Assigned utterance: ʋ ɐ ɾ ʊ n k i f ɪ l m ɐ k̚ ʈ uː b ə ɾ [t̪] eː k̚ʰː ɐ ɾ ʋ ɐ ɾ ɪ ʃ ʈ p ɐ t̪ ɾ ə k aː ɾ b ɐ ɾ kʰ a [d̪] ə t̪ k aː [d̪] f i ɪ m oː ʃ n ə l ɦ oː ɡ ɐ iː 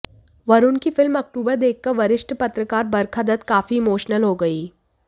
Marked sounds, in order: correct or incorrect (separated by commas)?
incorrect, correct, incorrect